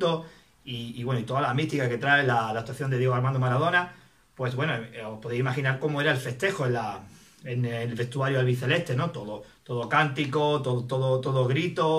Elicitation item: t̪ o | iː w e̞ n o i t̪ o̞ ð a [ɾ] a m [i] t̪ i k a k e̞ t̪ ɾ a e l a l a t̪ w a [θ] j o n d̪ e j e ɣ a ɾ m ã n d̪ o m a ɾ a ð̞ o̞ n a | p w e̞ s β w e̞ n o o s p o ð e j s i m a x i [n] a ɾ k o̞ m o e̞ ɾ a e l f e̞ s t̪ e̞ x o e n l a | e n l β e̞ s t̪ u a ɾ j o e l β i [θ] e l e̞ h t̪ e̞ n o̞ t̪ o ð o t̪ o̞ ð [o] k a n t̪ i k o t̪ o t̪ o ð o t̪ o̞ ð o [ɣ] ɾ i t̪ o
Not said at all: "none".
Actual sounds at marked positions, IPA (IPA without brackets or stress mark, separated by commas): l, i, θ, n, θ, o, ɣ